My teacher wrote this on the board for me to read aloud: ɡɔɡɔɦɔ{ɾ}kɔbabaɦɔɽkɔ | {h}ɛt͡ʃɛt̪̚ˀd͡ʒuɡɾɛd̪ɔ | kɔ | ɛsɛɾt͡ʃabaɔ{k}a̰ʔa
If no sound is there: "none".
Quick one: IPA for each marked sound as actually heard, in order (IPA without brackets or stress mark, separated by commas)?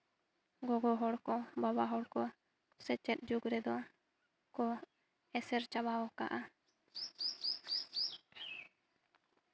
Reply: ɽ, s, k